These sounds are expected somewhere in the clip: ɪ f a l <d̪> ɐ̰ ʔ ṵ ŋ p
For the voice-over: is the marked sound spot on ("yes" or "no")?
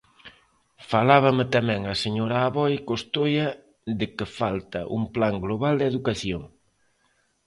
no